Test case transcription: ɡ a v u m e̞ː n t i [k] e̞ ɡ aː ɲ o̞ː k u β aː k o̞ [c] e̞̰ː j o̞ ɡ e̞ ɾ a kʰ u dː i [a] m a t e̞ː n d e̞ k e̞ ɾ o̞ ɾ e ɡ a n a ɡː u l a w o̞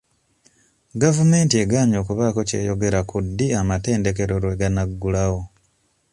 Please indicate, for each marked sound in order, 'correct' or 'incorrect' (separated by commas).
incorrect, correct, correct